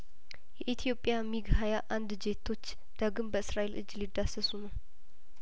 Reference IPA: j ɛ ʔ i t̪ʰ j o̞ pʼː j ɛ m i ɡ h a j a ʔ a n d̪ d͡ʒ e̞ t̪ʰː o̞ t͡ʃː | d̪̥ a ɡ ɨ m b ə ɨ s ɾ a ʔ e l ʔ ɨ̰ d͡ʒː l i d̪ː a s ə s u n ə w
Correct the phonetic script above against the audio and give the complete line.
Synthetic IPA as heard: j ɛ ʔ i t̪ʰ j o̞ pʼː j a m i ɡ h a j a ʔ a n d̪ d͡ʒ e̞ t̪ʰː o̞ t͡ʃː | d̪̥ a ɡ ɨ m b ə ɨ s ɾ a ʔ e l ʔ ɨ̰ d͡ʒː l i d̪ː a s ə s u n ə w